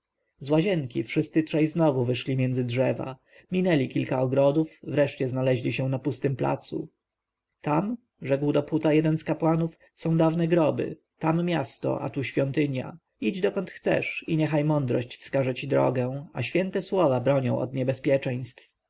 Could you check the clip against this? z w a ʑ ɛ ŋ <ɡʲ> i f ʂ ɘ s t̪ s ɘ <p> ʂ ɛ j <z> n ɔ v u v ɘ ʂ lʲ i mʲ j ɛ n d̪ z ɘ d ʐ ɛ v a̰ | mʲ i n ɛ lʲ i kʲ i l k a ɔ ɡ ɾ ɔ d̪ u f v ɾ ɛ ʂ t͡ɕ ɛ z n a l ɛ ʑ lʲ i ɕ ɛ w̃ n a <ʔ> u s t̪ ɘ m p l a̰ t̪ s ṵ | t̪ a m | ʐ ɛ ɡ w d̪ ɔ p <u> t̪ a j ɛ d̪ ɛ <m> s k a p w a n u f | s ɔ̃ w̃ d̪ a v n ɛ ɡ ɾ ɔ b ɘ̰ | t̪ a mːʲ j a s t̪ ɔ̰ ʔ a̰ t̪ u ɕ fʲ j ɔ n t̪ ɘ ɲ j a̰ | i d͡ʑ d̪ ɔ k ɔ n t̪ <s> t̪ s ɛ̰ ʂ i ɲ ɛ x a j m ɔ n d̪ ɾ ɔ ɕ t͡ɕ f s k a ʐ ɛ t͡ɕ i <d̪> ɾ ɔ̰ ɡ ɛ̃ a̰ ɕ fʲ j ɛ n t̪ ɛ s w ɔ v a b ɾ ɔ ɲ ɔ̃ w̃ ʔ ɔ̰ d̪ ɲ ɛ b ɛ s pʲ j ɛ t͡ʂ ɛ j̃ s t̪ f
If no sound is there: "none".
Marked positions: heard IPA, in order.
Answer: kʲ, t, z, p, u, n, x, d̪

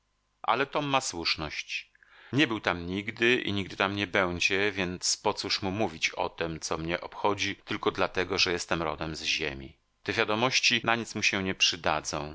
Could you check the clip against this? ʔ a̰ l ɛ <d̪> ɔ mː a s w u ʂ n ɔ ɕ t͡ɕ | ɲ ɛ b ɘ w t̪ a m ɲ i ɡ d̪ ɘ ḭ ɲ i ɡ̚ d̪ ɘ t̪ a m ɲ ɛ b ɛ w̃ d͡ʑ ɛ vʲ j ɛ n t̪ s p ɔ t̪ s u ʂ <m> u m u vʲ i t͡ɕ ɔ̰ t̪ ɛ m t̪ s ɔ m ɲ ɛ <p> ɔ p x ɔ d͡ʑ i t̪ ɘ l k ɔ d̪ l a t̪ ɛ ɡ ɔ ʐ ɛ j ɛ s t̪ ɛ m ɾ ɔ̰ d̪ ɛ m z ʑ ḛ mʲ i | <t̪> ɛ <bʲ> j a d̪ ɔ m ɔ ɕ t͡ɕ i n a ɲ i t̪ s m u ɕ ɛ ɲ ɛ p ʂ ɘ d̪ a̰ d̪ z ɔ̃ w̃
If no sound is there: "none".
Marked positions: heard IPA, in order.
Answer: t̪, m, ʔ, t̪, vʲ

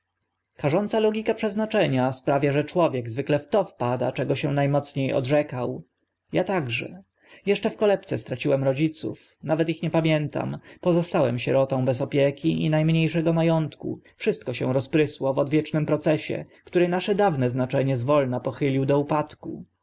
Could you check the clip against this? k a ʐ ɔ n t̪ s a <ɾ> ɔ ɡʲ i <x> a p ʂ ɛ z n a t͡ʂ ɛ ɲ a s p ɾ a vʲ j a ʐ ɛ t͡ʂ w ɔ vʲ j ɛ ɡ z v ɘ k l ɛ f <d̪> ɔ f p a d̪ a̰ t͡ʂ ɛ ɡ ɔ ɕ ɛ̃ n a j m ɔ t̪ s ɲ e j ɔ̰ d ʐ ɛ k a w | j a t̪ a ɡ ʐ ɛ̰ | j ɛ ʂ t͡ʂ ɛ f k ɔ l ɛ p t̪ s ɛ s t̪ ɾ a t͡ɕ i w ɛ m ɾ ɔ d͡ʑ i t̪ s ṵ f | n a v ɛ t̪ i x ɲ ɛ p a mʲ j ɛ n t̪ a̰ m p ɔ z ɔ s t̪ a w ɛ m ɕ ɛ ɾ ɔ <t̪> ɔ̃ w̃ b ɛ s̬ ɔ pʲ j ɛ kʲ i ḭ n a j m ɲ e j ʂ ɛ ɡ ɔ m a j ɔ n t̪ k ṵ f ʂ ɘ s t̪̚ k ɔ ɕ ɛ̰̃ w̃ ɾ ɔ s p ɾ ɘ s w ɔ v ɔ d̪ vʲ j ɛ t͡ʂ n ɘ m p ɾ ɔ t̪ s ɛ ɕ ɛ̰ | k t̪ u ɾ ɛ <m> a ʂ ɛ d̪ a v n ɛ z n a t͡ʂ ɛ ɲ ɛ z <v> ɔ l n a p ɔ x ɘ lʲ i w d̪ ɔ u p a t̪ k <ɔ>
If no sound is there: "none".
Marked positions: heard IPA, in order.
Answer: l, k, t̪, t̪, n, v, u

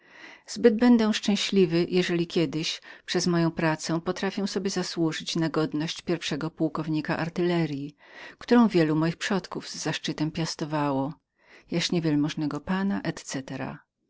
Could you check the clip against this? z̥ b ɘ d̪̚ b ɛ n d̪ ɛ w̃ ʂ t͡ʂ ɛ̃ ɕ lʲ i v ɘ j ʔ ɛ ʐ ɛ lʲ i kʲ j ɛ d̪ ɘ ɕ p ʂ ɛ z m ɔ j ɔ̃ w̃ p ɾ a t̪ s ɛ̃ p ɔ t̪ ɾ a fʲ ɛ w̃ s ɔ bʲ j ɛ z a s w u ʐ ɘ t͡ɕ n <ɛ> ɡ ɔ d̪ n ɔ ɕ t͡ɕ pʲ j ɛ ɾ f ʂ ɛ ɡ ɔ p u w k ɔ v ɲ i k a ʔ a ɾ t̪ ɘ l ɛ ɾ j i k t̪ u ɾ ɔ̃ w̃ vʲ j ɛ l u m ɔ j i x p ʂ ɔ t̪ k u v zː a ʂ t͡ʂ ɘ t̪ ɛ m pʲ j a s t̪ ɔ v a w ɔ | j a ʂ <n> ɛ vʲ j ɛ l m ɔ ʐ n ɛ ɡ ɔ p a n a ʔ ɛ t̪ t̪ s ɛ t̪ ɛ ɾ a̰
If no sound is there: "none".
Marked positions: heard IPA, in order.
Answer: a, ɲ

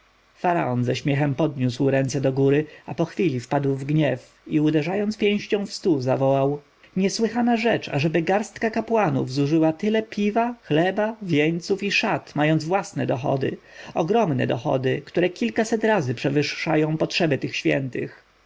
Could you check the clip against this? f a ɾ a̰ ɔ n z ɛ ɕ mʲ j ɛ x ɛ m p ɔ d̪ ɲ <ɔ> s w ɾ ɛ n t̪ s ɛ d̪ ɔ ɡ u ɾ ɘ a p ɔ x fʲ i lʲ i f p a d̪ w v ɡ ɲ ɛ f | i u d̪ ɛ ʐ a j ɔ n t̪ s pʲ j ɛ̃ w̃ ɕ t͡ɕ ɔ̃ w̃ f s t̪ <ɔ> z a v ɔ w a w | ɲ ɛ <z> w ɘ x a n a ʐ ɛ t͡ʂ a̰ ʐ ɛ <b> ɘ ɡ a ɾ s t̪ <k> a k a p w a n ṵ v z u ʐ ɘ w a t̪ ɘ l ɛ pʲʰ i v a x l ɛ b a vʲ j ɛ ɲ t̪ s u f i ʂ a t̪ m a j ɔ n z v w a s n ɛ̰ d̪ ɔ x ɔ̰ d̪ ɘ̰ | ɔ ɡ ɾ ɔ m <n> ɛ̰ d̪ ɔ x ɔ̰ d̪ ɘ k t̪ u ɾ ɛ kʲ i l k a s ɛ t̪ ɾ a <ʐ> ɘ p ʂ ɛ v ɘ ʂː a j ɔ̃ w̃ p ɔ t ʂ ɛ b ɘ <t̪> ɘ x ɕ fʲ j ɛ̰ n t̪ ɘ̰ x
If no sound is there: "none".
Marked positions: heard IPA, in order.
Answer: u, u, s, b, k, n, z, t̪

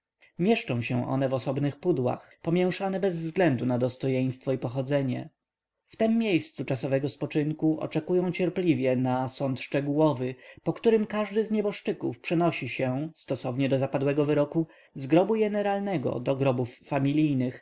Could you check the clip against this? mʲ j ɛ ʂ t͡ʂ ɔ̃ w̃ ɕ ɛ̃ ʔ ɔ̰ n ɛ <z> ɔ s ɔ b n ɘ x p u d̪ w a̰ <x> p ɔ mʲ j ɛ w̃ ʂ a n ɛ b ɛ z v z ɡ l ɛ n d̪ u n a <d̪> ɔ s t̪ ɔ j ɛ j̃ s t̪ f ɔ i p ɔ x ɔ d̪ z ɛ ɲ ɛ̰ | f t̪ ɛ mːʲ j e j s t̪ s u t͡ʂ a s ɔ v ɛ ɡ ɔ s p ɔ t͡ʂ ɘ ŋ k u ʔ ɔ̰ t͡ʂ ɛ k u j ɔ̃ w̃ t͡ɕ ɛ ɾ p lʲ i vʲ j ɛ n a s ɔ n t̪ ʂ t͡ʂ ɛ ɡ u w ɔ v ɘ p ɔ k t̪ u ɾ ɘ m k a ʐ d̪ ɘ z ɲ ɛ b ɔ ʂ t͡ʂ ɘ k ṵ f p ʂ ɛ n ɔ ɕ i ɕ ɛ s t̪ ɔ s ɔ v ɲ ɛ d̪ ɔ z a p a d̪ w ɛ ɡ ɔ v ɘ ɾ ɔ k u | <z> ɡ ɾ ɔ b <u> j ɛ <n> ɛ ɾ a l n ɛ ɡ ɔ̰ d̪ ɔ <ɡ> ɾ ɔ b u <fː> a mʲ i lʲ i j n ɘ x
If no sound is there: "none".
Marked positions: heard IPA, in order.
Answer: v, x, d̪, z, u, n, ɡ, fː

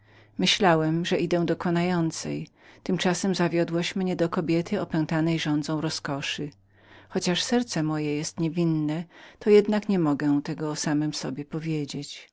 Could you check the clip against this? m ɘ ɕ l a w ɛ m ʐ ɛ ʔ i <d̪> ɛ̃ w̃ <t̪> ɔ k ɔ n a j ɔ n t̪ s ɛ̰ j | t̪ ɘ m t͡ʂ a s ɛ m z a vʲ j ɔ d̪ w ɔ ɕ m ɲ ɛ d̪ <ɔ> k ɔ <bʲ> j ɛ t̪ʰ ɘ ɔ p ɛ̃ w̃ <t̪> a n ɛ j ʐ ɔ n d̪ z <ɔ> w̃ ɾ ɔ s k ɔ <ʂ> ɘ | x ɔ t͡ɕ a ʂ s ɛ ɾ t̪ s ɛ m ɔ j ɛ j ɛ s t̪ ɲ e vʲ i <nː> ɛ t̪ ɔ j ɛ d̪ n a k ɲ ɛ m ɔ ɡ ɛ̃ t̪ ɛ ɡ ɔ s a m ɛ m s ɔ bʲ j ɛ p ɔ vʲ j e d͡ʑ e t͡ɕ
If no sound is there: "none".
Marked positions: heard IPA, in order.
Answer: d̪, d̪, ɔ, bʲ, t̪, ɔ̃, ʂ, nː

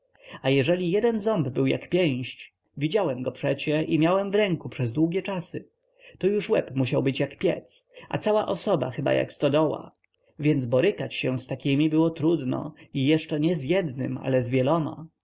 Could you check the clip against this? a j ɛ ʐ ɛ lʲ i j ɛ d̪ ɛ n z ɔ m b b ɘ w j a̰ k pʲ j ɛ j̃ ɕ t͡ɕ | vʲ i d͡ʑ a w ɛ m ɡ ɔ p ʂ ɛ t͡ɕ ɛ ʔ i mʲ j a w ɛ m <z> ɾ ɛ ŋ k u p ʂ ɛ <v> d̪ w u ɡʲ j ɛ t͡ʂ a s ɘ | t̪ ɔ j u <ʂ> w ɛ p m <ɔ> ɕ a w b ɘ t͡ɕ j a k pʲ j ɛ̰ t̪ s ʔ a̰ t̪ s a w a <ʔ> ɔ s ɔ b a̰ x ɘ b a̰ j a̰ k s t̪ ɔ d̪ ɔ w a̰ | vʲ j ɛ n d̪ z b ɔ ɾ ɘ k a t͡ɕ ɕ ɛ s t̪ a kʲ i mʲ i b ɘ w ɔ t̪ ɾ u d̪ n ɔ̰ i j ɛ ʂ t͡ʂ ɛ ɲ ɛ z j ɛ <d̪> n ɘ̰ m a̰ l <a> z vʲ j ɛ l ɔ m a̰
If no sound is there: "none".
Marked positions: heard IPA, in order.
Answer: v, z, ʂ, u, ʔ, d̪, ɛ

